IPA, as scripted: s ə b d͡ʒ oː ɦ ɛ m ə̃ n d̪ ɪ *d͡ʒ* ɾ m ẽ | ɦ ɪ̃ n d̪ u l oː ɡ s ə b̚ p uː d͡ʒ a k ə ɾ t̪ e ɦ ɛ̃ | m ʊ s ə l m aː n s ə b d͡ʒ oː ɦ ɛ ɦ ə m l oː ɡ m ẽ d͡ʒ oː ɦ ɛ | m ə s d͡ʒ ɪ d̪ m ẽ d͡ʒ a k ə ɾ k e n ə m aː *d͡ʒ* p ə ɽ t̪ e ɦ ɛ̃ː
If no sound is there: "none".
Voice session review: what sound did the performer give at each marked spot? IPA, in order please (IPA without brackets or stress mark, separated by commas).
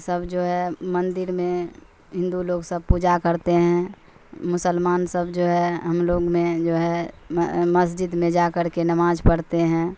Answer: none, d͡ʒ